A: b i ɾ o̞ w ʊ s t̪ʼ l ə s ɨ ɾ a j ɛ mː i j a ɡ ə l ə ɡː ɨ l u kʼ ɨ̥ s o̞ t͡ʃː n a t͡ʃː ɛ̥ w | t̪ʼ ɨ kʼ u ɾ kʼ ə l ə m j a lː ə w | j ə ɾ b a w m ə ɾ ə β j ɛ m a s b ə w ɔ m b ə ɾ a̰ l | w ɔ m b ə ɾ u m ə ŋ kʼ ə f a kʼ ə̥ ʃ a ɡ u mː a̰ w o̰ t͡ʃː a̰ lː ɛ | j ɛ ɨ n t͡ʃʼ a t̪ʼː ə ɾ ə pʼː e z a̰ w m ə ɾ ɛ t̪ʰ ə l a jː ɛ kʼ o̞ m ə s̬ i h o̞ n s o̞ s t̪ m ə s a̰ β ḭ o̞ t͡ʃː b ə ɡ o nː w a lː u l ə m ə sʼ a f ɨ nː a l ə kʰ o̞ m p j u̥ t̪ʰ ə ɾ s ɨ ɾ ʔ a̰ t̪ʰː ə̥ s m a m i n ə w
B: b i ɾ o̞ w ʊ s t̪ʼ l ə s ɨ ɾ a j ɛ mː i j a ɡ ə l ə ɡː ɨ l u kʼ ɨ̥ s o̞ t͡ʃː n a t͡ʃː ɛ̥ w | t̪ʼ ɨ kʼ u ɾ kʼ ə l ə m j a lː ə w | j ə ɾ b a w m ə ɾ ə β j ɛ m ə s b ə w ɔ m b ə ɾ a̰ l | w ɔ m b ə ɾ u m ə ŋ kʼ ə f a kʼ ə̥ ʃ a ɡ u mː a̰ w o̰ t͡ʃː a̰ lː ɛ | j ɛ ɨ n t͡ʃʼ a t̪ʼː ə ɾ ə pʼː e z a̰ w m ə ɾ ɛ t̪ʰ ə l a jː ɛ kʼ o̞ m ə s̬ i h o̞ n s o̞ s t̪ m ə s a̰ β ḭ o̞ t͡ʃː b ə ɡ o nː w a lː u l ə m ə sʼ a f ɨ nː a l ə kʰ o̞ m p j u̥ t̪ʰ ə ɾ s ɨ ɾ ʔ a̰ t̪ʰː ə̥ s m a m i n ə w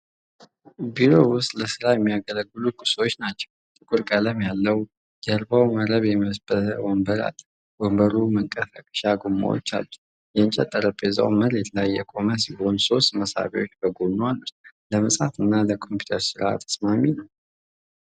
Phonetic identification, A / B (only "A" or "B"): B